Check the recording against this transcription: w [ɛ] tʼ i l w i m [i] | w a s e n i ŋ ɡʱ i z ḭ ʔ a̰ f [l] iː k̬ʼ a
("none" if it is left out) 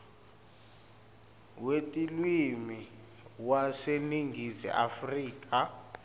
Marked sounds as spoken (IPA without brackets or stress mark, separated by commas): e, i, r